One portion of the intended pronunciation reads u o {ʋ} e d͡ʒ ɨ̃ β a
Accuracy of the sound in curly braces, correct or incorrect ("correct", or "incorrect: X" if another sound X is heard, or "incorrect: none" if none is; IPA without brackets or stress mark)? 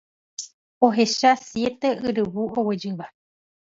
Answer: incorrect: w